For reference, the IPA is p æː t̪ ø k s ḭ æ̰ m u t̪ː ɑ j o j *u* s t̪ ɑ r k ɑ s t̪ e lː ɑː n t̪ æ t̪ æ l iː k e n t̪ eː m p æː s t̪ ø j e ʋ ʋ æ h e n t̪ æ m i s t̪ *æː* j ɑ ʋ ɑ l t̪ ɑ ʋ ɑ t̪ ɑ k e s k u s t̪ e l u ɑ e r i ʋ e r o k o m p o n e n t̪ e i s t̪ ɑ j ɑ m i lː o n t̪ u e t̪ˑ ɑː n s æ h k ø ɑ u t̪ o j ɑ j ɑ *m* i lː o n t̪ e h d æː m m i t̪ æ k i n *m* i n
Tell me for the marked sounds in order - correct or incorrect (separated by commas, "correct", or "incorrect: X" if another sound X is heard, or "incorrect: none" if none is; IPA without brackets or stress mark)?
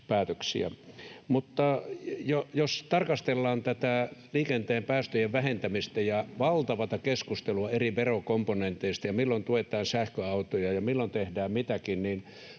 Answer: incorrect: o, incorrect: æ, correct, incorrect: n